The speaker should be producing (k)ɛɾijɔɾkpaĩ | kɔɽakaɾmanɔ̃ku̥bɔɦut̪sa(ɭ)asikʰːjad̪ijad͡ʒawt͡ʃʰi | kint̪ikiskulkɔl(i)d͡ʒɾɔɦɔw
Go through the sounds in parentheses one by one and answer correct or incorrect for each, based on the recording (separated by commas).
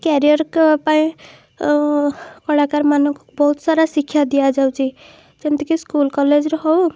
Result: correct, incorrect, incorrect